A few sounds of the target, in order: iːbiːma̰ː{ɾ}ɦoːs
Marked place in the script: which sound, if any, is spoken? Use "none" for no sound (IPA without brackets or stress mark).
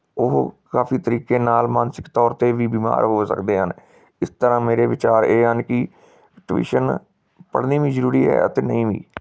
ɾ